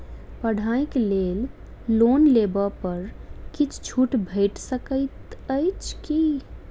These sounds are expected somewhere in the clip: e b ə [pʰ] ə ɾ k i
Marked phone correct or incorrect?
incorrect